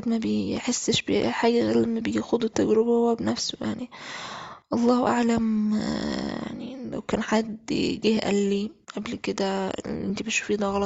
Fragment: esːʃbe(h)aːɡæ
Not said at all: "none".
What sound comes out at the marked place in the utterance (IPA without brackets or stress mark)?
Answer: ħ